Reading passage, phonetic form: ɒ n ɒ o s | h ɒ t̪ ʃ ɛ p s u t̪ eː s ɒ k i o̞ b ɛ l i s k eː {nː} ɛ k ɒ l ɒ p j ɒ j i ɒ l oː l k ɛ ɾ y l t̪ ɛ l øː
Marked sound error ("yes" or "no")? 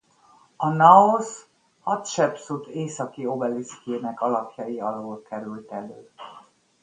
yes